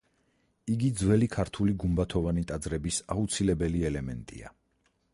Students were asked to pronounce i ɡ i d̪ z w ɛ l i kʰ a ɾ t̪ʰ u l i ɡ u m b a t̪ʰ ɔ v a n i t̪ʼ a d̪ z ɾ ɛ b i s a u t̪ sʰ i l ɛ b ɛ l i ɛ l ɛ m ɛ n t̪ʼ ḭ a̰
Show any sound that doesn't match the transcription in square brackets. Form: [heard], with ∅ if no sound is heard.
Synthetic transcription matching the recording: i ɡ i d̪ z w ɛ l i kʰ a ɾ t̪ʰ u l i ɡ u m b a t̪ʰ ɔ v a n i t̪ʼ a d̪ z ɾ ɛ b i s a u t̪ sʰ i l ɛ b ɛ l i ɛ l ɛ m ɛ n t̪ʼ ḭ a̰

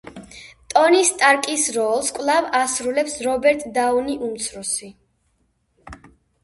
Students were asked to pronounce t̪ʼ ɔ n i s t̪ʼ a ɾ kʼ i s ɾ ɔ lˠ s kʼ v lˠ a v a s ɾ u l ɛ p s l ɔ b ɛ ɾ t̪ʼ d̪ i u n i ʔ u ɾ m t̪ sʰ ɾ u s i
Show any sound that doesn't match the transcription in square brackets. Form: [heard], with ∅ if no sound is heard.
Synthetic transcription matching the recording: t̪ʼ ɔ n i s t̪ʼ a ɾ kʼ i s ɾ ɔ lˠ s kʼ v lˠ a v a s ɾ u l ɛ p s [ɾ] ɔ b ɛ ɾ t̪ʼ d̪ [a] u n i ʔ u [∅] m t̪ sʰ ɾ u s i

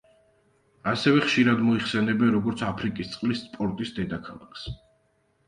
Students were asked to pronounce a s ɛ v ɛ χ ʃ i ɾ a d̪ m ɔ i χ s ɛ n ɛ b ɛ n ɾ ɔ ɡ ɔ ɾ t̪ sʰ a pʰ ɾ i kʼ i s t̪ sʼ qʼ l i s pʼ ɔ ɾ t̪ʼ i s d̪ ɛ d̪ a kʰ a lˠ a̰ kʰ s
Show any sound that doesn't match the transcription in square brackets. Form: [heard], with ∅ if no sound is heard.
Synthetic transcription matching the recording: a s ɛ v ɛ χ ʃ i ɾ a d̪ m ɔ i χ s ɛ n ɛ b ɛ n ɾ ɔ ɡ ɔ ɾ t̪ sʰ a pʰ ɾ i kʼ i s t̪ sʼ qʼ l i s pʼ ɔ ɾ t̪ʼ i s d̪ ɛ d̪ a kʰ a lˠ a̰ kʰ s

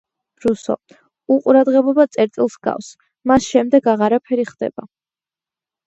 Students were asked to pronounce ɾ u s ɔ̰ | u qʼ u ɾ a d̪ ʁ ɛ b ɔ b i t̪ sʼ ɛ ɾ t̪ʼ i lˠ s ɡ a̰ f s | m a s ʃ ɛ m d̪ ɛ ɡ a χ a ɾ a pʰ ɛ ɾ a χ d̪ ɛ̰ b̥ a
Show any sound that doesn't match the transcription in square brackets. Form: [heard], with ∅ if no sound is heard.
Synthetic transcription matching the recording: ɾ u s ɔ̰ | u qʼ u ɾ a d̪ ʁ ɛ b ɔ b [a] t̪ sʼ ɛ ɾ t̪ʼ i lˠ s ɡ a̰ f s | m a s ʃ ɛ m d̪ ɛ ɡ a [ʁ] a ɾ a pʰ ɛ ɾ [i] χ d̪ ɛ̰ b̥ a

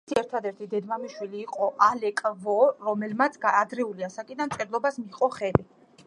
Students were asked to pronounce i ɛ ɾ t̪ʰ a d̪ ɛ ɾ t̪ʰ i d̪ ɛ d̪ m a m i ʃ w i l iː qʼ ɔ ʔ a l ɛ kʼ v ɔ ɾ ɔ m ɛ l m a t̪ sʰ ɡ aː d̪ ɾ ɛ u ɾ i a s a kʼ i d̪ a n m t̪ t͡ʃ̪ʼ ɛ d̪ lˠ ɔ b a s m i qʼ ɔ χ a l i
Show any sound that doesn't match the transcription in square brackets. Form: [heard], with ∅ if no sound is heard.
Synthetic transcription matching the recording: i ɛ ɾ t̪ʰ a d̪ ɛ ɾ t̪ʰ i d̪ ɛ d̪ m a m i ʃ w i l iː qʼ ɔ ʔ a l ɛ kʼ v ɔ ɾ ɔ m ɛ l m a t̪ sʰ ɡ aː d̪ ɾ ɛ u [l] i a s a kʼ i d̪ a n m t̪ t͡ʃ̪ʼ ɛ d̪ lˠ ɔ b a s m i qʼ ɔ χ [ɛ] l i

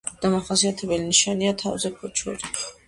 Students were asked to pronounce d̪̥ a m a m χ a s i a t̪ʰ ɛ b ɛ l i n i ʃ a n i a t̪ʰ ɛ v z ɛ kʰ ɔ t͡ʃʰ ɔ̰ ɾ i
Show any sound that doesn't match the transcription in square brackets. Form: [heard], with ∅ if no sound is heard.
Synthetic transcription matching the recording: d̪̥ a m a [∅] χ a s i a t̪ʰ ɛ b ɛ l i n i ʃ a n i a t̪ʰ [a] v z ɛ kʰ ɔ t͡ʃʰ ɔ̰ ɾ i

